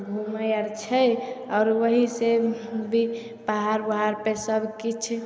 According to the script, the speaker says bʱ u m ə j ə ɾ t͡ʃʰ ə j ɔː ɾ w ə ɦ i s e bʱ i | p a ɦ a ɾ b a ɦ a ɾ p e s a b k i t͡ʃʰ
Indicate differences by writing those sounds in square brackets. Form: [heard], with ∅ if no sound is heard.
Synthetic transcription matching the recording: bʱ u m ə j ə ɾ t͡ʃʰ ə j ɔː ɾ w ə ɦ i s e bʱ i | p a ɦ a ɾ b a ɦ a ɾ p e s [ə] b k i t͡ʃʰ